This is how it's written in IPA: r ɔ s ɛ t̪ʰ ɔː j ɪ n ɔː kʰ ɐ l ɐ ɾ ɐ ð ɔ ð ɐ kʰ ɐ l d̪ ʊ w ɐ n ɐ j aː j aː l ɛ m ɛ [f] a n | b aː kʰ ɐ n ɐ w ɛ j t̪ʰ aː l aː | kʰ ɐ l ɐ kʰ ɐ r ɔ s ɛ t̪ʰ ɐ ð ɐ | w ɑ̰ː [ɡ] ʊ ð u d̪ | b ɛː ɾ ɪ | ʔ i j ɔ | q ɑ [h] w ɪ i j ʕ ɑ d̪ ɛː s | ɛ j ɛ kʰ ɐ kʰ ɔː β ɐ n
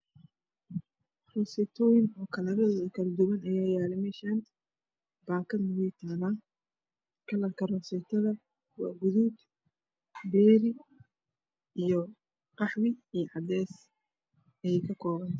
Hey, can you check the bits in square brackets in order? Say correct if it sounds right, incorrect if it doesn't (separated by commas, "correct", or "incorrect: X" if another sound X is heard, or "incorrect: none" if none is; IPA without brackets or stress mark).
incorrect: ʃ, correct, incorrect: ħ